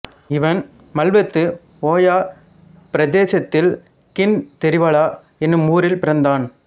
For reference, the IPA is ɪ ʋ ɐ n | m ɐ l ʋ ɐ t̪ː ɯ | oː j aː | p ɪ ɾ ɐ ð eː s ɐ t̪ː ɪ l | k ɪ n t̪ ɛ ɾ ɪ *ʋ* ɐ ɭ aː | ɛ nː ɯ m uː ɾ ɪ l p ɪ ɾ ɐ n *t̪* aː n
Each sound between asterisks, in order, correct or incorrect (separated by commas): correct, incorrect